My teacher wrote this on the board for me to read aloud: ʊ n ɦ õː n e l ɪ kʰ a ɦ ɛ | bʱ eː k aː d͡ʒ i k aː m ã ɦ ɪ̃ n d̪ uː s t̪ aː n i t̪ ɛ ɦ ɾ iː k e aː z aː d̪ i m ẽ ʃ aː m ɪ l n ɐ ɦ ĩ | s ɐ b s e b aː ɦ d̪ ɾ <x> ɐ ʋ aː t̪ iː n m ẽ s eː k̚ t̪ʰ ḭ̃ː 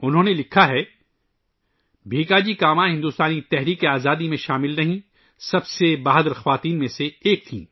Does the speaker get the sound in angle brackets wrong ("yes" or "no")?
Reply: no